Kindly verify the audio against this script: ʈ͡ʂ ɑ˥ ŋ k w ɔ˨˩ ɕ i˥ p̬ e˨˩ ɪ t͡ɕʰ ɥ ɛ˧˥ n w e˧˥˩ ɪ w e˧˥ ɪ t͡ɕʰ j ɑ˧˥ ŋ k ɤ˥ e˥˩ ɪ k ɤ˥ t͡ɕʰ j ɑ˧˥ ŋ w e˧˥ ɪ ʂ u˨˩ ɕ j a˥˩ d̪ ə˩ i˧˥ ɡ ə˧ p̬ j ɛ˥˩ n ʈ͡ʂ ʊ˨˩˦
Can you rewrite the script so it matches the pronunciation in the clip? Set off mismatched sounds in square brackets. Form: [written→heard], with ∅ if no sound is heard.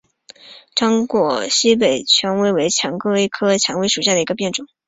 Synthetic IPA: ʈ͡ʂ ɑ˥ ŋ k w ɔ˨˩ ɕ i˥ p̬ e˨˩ ɪ t͡ɕʰ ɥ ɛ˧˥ n w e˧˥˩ ɪ w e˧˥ ɪ t͡ɕʰ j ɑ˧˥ ŋ k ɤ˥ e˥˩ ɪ [k→kʰ] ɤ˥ t͡ɕʰ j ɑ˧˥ ŋ w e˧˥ ɪ ʂ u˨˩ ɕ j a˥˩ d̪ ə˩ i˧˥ ɡ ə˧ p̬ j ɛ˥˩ n ʈ͡ʂ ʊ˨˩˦